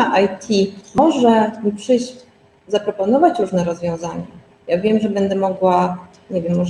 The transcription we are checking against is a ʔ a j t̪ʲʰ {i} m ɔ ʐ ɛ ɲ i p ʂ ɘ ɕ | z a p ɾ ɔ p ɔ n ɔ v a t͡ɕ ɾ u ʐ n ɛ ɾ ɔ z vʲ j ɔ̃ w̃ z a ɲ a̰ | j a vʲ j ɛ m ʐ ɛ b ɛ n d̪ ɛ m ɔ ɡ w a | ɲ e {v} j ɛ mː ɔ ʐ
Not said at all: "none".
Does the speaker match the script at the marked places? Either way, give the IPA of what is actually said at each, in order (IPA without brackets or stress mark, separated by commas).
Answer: i, v